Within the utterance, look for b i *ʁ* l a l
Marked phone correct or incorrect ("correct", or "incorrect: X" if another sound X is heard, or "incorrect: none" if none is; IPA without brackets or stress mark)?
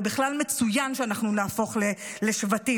incorrect: χ